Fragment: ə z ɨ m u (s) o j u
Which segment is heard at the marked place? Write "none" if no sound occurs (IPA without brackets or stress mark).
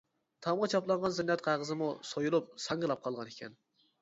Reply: s